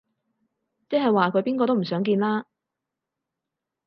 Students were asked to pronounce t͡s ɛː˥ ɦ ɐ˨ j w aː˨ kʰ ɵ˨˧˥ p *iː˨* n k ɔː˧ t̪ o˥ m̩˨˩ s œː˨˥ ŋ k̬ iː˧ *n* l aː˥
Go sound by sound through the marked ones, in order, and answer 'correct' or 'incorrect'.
incorrect, correct

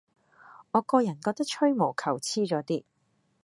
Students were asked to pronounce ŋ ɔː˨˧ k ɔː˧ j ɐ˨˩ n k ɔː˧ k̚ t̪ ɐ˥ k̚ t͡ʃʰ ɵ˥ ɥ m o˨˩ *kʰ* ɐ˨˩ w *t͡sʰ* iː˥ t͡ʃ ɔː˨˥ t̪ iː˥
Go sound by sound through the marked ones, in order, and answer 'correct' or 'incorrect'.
correct, correct

